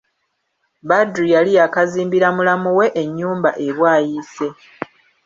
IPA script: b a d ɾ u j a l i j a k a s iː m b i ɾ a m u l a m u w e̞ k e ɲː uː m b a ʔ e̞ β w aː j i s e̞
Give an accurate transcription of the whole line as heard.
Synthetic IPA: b a d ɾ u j a l i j a k a z iː m b i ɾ a m u l a m u w e̞ ʔ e ɲː uː m b a ʔ e̞ β w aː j i s e̞